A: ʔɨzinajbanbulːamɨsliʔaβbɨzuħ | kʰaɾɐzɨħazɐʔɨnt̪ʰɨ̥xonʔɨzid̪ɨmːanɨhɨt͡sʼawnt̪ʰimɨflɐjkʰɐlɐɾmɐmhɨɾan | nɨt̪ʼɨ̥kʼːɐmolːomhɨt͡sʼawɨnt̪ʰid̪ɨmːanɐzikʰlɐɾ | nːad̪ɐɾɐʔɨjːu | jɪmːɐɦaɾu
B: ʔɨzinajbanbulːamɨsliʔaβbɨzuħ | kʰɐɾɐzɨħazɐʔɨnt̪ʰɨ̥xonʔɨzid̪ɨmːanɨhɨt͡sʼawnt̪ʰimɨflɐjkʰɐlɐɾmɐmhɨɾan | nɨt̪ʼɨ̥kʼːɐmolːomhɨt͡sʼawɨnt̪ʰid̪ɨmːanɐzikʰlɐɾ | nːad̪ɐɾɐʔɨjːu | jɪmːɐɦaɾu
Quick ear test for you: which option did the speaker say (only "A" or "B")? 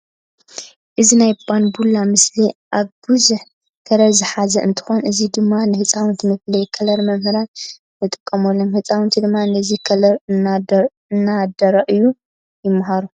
B